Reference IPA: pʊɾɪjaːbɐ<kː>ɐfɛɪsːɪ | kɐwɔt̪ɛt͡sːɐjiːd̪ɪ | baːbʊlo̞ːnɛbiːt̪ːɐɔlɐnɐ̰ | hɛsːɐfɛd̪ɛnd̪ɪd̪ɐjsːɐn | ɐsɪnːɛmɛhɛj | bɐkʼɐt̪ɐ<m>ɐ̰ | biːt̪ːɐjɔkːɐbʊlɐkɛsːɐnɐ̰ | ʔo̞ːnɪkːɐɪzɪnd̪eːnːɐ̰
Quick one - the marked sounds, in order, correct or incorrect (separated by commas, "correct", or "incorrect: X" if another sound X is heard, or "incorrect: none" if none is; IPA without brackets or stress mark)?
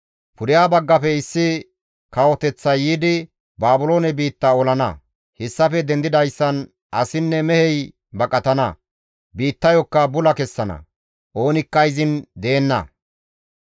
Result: incorrect: ɡː, incorrect: n